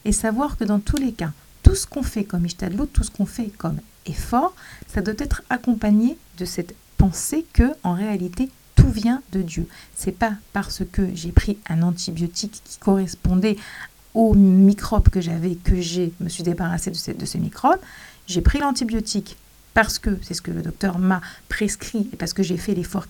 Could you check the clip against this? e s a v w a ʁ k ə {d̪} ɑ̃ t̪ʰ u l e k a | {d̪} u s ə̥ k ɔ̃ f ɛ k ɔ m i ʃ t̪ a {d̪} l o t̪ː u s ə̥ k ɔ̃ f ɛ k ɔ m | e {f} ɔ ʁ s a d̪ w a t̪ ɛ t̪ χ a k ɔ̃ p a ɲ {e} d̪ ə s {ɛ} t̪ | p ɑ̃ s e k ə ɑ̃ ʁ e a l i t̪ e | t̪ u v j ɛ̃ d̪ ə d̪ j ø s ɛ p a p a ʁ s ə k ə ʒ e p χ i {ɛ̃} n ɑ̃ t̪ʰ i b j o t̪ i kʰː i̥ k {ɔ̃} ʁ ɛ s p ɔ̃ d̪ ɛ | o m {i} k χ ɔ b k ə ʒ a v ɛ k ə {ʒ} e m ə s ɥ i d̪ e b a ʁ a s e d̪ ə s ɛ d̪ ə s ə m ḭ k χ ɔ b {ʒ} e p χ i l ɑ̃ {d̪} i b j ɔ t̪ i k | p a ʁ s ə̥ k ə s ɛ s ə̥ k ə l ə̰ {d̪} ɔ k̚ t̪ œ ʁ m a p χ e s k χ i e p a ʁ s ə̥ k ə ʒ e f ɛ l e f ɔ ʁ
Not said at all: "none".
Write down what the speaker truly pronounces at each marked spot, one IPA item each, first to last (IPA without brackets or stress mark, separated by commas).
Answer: d̪, t̪, d̪, f, e, ɛ, ɛ̃, ɔ, i, ʒ, ʒ, t̪, d̪